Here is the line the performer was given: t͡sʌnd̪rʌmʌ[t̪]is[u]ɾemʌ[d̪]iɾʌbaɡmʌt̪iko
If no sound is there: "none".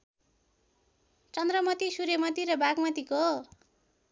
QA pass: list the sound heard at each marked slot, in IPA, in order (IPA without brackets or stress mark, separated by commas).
t̪, u, t̪